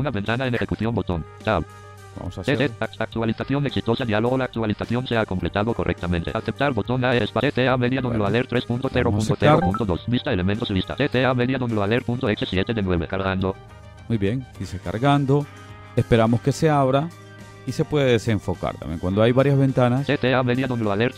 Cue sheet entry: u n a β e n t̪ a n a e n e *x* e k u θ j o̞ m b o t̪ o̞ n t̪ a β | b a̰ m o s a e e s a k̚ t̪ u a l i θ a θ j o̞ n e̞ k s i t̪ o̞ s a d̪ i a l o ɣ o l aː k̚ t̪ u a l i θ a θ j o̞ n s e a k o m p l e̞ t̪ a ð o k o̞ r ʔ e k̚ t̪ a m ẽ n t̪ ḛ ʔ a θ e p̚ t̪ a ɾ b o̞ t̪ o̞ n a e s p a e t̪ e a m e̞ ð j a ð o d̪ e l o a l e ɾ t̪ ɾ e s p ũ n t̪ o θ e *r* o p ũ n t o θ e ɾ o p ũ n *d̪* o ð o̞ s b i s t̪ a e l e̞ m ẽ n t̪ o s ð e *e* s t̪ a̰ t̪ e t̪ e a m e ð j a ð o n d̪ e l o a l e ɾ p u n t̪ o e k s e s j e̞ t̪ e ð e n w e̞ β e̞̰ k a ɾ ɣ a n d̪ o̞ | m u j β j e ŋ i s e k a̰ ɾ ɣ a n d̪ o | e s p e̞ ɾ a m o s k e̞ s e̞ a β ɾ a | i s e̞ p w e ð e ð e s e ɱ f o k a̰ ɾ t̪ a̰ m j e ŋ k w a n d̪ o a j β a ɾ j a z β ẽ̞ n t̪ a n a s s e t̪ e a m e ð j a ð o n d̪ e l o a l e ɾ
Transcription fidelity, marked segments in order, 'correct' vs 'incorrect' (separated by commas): correct, incorrect, incorrect, incorrect